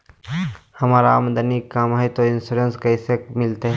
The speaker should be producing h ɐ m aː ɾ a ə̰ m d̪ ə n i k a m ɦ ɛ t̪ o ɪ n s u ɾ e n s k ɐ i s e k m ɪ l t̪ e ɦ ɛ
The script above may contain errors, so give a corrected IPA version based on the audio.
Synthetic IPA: h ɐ m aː ɾ a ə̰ m d̪ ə n i k a m ɦ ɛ t̪ o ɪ n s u ɾ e n s k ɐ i s e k m ɪ l t̪ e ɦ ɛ

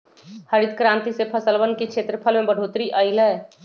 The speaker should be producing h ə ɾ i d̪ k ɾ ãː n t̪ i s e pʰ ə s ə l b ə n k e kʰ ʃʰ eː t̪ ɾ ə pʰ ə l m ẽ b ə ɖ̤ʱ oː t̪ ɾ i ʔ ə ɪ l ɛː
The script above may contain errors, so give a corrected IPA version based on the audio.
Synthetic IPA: h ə ɾ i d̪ k ɾ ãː n t̪ i s e pʰ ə s ə l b ə n k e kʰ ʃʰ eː t̪ ɾ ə pʰ ə l m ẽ b ə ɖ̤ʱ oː t̪ ɾ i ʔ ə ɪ l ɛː

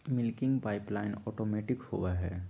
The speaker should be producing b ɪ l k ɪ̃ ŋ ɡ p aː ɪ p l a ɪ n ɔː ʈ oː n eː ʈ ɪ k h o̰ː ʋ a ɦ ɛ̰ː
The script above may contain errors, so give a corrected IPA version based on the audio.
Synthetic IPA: m ɪ l k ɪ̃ ŋ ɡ p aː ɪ p l a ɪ n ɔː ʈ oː m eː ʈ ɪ k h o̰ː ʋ a ɦ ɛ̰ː

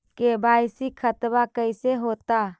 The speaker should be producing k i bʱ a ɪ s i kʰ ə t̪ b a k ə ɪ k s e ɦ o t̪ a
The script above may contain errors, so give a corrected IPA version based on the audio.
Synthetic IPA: k e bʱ a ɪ s i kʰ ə t̪ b a k ə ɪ s e ɦ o t̪ a

